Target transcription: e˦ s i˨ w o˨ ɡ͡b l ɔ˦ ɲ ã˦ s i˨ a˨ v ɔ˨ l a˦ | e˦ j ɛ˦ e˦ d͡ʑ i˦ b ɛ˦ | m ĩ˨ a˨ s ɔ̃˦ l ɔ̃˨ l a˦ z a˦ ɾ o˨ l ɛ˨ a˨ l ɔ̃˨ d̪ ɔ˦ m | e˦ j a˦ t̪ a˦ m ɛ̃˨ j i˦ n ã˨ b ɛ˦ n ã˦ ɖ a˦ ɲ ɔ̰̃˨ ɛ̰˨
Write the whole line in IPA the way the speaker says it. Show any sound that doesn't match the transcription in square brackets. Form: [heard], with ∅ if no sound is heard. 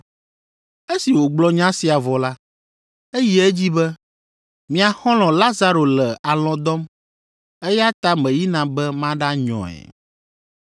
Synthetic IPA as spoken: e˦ s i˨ w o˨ ɡ͡b l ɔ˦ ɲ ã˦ s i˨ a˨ v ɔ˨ l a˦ | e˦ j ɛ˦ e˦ d͡ʑ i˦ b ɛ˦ | m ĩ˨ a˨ [x] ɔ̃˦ l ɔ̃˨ l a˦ z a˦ ɾ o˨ l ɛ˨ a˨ l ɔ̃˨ d̪ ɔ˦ m | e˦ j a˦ t̪ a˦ m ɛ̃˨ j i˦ n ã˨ b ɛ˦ [m] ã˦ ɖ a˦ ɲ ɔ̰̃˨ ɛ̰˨